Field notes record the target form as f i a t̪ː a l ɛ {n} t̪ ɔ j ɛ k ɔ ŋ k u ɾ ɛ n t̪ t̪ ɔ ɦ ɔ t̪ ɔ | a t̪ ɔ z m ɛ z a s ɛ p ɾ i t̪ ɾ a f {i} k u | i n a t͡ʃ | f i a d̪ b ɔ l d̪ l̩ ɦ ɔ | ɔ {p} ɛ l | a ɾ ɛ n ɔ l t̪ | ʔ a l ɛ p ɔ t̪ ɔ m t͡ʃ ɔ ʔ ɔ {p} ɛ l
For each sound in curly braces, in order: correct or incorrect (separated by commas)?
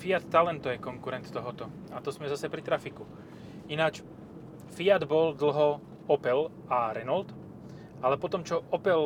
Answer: correct, correct, correct, correct